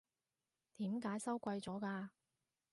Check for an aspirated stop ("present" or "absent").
absent